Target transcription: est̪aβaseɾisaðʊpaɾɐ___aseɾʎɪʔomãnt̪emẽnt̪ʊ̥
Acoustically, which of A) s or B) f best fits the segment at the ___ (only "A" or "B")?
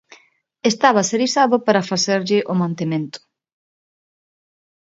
B